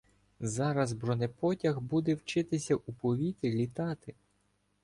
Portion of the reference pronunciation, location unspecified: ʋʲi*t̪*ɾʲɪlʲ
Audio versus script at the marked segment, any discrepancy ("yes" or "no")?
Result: no